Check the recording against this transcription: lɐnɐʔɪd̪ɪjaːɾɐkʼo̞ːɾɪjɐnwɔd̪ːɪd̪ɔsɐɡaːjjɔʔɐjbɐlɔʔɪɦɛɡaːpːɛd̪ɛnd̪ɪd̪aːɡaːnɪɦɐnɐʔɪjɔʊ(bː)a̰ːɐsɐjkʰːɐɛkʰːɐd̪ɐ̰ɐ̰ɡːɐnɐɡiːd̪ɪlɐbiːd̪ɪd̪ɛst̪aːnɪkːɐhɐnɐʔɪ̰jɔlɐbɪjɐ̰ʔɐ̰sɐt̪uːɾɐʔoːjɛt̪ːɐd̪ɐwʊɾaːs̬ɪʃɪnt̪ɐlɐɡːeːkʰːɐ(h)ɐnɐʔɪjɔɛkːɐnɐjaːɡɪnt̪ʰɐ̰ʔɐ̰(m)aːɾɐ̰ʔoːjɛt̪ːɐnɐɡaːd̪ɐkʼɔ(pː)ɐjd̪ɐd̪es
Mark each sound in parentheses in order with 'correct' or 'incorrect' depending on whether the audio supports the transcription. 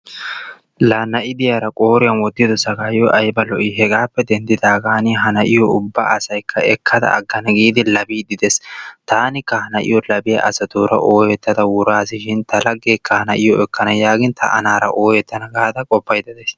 correct, correct, incorrect, correct

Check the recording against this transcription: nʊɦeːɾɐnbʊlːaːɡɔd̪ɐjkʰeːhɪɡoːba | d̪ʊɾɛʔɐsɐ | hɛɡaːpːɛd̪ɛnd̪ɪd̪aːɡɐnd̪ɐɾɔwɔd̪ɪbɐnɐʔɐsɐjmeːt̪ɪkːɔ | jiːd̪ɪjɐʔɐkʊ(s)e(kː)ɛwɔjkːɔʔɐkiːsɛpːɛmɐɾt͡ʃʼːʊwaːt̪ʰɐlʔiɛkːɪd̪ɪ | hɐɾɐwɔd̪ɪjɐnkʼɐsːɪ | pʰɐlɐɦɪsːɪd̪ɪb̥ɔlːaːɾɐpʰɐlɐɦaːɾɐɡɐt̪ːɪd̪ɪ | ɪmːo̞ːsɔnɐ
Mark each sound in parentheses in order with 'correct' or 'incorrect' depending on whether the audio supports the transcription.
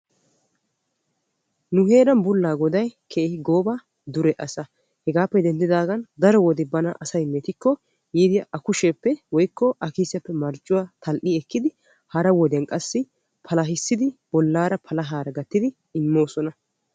incorrect, incorrect

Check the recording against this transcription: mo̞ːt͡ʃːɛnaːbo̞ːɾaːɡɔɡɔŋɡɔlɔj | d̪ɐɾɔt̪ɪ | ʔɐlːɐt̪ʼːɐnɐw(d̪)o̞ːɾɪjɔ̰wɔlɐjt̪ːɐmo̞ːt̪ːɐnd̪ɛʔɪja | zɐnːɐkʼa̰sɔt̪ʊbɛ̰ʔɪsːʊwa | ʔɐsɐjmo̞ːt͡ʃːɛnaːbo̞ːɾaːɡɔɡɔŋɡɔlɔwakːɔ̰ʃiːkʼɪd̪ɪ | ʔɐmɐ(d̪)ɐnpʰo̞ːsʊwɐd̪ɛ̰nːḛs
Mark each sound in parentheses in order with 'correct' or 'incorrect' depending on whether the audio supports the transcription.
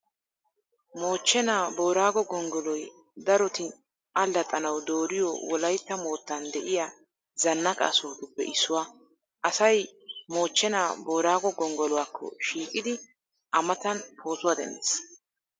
correct, incorrect

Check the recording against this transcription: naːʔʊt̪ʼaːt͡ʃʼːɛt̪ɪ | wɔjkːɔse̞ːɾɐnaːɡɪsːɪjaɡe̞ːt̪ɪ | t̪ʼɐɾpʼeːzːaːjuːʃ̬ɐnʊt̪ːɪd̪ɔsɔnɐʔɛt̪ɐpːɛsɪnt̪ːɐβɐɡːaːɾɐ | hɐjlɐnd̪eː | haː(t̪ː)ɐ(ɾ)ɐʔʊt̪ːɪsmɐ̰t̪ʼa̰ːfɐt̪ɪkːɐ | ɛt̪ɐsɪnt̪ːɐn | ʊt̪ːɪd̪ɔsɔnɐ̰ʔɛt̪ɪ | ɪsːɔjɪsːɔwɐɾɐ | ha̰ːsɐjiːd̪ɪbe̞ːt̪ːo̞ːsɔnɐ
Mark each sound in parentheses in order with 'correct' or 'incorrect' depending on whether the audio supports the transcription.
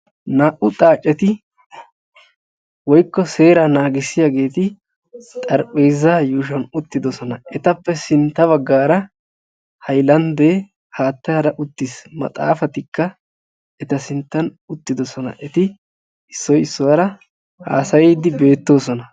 correct, correct

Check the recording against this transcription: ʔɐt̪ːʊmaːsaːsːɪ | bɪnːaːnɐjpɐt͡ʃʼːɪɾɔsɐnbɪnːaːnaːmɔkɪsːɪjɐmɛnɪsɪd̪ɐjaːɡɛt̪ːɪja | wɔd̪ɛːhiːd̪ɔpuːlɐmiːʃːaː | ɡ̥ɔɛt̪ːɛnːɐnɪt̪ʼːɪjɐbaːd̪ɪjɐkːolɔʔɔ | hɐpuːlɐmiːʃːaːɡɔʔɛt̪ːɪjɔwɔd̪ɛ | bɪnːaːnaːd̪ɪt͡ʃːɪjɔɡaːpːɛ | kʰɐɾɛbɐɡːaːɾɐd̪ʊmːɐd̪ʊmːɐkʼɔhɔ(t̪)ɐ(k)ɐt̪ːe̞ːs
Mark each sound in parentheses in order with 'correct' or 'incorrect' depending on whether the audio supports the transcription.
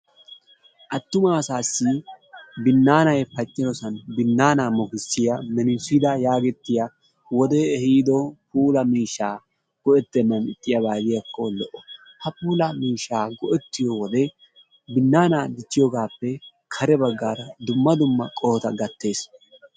correct, incorrect

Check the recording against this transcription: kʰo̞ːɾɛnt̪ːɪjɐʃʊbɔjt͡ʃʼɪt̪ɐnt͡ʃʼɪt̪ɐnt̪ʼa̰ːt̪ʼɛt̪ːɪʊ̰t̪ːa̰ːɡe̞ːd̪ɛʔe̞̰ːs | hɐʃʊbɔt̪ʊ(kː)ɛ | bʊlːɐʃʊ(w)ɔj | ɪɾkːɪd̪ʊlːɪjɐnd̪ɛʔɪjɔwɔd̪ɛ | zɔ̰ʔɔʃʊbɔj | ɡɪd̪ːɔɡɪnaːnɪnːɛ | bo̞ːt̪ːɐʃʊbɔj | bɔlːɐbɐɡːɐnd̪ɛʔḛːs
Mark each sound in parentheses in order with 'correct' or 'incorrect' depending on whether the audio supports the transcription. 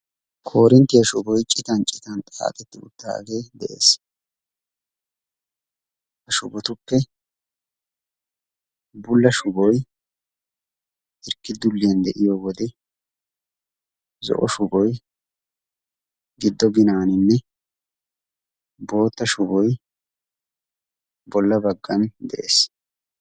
incorrect, incorrect

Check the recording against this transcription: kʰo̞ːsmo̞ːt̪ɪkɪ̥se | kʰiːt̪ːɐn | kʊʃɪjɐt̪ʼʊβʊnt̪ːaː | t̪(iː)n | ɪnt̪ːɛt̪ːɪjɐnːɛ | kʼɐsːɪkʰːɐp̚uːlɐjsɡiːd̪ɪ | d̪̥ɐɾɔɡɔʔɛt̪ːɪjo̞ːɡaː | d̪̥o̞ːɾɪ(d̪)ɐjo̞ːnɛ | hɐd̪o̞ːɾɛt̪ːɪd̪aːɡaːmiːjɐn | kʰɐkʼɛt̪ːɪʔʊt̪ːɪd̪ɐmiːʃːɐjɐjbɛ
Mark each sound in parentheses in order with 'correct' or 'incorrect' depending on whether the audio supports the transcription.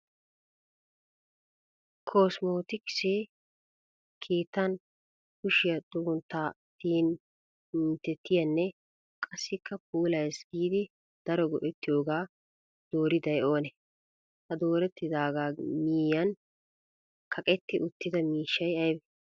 correct, correct

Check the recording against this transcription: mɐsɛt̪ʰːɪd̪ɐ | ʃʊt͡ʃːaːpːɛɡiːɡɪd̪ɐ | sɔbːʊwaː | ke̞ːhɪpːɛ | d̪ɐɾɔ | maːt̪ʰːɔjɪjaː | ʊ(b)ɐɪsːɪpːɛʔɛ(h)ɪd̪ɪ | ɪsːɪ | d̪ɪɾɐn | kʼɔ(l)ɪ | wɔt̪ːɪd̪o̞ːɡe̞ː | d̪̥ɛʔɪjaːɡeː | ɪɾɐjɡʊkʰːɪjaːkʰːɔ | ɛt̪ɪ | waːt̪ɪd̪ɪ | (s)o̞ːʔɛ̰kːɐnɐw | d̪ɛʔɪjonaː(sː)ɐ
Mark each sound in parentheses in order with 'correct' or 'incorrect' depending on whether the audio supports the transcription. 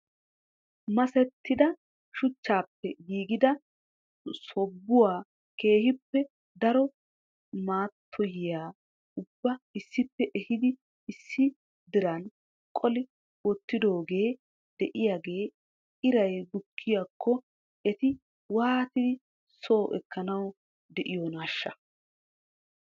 incorrect, correct, correct, correct, incorrect

